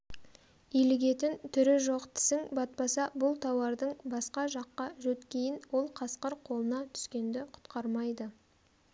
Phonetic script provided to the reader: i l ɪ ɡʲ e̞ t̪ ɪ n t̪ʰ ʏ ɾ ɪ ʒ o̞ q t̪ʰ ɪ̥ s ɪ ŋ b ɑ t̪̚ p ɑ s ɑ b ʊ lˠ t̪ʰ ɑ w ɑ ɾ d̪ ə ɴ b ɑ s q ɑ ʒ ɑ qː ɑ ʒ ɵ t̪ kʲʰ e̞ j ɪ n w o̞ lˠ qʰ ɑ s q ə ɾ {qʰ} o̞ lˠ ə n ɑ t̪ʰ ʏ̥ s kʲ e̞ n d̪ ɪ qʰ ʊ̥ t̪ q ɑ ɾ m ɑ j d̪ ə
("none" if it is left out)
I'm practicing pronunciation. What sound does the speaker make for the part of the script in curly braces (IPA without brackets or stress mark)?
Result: qʰ